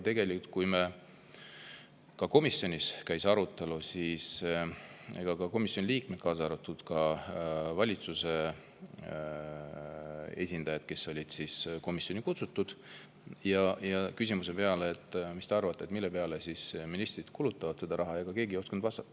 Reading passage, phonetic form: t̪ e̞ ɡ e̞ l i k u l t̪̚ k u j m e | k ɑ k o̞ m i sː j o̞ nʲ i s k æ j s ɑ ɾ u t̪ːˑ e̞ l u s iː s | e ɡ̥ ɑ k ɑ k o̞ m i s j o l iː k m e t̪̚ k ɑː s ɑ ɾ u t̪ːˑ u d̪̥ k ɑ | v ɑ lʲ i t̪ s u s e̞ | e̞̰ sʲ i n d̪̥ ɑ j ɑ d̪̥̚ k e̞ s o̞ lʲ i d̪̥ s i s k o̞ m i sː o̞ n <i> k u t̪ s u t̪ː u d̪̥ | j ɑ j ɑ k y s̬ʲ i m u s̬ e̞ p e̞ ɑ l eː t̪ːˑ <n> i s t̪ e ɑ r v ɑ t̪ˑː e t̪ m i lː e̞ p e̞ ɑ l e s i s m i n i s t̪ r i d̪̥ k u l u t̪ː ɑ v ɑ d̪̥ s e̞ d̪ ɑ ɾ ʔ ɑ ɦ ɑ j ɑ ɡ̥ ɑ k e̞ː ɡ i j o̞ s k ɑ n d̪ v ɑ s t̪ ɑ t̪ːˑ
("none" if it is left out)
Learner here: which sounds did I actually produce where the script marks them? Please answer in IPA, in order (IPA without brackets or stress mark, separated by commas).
i, m